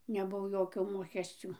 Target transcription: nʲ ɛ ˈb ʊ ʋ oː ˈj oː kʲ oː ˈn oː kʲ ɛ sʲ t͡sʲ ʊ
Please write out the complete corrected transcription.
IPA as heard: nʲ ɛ ˈb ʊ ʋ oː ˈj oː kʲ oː ˈm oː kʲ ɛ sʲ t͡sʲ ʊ